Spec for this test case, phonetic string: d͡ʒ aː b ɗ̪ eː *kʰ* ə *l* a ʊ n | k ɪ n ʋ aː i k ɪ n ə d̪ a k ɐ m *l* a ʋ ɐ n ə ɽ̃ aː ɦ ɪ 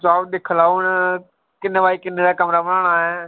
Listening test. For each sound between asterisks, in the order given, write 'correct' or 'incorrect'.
correct, correct, incorrect: ɾ

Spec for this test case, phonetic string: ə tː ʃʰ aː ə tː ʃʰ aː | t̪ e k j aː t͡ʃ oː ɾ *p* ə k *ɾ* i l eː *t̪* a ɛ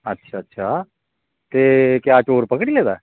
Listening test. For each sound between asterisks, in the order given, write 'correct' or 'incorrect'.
correct, incorrect: ɽ, incorrect: d̪

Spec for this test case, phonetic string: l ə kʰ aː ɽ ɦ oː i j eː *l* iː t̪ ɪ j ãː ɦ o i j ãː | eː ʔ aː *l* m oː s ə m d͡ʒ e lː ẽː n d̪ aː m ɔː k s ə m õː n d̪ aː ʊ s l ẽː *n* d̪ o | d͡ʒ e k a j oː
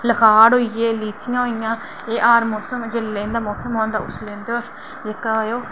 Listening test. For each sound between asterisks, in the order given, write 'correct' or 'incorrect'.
correct, incorrect: ɾ, correct

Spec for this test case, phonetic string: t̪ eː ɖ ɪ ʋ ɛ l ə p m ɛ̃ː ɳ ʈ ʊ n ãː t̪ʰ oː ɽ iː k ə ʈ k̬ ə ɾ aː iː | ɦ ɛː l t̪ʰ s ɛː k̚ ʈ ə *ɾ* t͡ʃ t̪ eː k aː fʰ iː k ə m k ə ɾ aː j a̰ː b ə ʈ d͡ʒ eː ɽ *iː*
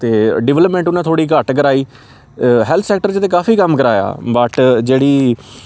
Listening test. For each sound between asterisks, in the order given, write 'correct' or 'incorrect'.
correct, correct

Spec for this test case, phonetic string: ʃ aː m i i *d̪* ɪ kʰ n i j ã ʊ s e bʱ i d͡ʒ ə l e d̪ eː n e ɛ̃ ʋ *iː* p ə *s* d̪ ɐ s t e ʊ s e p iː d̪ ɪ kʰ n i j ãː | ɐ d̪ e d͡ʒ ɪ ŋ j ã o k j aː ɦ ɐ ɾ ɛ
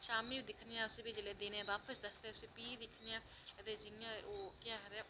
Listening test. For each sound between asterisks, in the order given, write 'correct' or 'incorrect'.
correct, incorrect: aː, correct

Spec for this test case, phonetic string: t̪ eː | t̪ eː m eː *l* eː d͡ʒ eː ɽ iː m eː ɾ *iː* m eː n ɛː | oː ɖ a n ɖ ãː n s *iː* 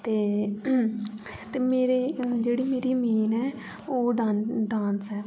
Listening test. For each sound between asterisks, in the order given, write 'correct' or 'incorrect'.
incorrect: ɾ, correct, incorrect: ɛː

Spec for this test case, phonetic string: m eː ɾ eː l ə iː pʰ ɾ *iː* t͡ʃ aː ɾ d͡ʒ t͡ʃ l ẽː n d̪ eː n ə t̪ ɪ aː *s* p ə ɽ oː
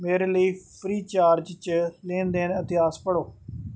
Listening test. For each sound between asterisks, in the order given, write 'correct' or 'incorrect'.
correct, correct

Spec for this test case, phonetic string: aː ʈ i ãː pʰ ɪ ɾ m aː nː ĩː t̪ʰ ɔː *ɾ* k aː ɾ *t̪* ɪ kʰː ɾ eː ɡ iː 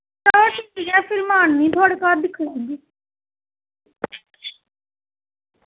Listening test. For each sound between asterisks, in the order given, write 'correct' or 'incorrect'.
incorrect: ɽ, incorrect: d̪

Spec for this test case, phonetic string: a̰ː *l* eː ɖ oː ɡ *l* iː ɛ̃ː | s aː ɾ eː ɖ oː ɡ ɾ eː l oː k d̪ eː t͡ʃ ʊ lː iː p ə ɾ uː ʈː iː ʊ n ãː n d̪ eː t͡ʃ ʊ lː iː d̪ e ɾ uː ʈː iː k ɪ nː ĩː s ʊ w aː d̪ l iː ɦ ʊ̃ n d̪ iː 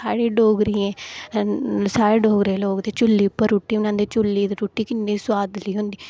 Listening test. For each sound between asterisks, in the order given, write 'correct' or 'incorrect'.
incorrect: ɽ, incorrect: ɾ

